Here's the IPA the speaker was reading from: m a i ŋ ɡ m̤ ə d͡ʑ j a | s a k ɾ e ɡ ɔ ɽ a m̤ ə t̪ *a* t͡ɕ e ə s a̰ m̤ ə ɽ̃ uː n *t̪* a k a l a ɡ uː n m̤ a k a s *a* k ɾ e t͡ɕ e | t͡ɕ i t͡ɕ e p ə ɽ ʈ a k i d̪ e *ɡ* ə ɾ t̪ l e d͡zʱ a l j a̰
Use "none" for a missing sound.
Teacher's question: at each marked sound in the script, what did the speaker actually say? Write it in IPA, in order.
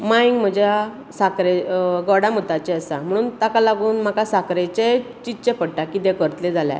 a, t̪, a, k

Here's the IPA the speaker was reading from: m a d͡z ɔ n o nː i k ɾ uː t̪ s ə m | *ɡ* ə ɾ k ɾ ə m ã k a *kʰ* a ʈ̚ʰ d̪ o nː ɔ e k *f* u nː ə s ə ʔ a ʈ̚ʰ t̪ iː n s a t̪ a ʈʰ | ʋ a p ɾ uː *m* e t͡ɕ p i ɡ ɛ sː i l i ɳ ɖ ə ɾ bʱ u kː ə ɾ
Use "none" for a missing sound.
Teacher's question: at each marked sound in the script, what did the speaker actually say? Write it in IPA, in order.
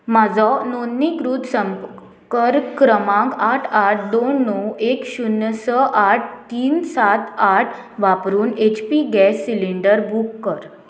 k, ʈʰ, ɕ, n

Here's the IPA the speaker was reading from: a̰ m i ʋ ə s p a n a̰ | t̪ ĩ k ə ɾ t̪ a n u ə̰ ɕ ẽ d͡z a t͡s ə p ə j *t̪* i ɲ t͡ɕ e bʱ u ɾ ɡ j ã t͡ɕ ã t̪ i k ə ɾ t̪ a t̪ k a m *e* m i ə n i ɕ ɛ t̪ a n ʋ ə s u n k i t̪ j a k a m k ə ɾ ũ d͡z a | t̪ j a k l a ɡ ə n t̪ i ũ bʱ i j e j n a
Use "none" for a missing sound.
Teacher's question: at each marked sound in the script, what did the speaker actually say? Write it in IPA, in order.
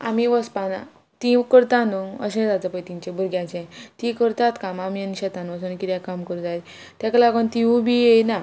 t̪, a

